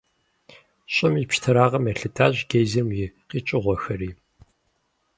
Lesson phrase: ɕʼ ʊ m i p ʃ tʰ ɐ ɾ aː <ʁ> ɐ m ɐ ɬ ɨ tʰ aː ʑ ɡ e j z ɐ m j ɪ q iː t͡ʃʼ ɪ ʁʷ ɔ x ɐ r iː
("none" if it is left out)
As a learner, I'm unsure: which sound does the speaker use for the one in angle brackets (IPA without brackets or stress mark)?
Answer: ʁ